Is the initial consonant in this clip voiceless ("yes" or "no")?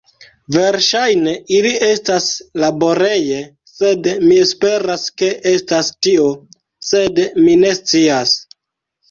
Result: no